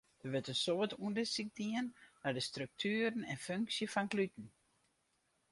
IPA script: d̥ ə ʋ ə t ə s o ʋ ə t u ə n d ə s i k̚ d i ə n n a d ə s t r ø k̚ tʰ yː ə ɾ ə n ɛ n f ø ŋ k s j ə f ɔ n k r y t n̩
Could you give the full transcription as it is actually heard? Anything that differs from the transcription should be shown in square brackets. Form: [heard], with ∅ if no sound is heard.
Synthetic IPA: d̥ ə ʋ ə t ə s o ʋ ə t u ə n d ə s i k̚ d i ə n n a d ə s t r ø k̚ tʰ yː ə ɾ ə n ɛ n f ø ŋ k s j ə f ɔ n k [l] y t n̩